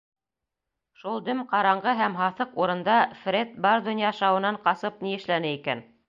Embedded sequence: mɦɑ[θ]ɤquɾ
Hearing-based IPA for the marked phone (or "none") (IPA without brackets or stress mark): θ